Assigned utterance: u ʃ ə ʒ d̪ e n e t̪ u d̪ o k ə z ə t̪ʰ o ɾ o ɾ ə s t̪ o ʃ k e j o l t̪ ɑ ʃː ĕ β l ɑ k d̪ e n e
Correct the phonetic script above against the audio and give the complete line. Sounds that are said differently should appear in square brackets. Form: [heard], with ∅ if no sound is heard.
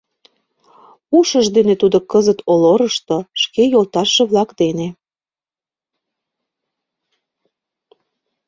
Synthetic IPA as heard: u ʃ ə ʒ d̪ e n e t̪ u d̪ o k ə z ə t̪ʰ o [l] o ɾ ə [ʃ] t̪ o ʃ k e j o l t̪ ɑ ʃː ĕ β l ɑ k d̪ e n e

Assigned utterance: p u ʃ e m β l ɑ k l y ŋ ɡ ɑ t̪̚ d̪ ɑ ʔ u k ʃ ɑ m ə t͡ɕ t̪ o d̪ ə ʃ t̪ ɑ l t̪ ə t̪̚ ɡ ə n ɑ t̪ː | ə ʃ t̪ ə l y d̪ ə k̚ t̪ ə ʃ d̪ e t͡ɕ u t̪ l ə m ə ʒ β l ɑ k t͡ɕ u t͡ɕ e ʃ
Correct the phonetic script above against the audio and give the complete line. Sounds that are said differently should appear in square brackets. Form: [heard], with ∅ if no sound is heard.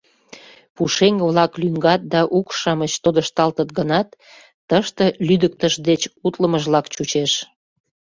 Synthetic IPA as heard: p u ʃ e [ŋ] β l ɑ k l y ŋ ɡ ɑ t̪̚ d̪ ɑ ʔ u k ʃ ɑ m ə t͡ɕ t̪ o d̪ ə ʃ t̪ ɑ l t̪ ə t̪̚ ɡ ə n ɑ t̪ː | ə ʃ t̪ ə l y d̪ ə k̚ t̪ ə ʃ d̪ e t͡ɕ u t̪ l ə m ə ʒ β l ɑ k t͡ɕ u t͡ɕ e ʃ

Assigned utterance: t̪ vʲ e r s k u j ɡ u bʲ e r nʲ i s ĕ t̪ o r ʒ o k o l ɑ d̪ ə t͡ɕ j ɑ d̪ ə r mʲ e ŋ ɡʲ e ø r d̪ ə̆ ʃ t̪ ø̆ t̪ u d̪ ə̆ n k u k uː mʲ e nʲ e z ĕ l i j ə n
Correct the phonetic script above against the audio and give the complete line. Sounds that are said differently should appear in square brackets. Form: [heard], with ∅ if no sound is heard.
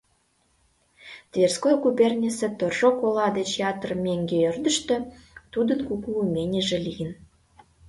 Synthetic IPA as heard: t̪ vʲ e r s k [o] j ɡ u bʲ e r nʲ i s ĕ t̪ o r ʒ o k o l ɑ d̪ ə t͡ɕ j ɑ [t̪] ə r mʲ e ŋ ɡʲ e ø r d̪ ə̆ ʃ t̪ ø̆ t̪ u d̪ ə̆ n k u k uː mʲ e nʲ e [ʒ] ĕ l i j ə n

